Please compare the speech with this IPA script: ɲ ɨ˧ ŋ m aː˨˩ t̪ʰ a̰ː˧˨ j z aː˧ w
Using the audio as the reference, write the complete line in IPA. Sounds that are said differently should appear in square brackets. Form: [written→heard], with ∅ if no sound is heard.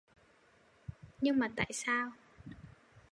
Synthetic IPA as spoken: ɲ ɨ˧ ŋ m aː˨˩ [t̪ʰ→t̪] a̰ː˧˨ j [z→s] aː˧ w